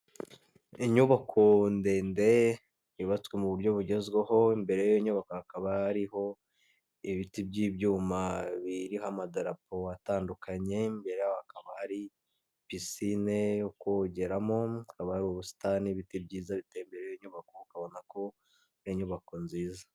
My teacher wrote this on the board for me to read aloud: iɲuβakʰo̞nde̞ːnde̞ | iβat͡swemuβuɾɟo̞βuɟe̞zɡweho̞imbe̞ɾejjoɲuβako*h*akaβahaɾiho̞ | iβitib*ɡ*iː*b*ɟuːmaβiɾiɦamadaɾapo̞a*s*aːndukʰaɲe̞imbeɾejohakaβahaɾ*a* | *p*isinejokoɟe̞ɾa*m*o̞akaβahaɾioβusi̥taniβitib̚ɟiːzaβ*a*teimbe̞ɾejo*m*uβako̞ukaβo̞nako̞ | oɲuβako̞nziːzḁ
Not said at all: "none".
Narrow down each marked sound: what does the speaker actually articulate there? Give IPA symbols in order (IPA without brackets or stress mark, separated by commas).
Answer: h, ɟ, b, t, i, p, m, i, ɲ